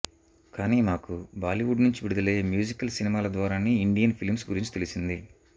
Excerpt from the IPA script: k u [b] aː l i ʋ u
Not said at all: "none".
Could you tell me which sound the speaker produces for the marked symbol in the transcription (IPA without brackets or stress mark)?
b